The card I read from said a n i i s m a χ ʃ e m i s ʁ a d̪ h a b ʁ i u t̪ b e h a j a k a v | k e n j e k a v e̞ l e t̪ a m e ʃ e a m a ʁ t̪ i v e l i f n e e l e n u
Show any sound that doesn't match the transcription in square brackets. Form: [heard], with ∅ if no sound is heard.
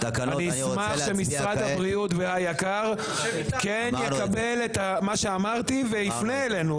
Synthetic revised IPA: a n i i s m a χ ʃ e m i s ʁ a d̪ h a b ʁ i u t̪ [v] e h a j a k a [ʁ] | k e n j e k a [b] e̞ l e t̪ a m [a] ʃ e a m a ʁ t̪ i v e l i f n e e l e n u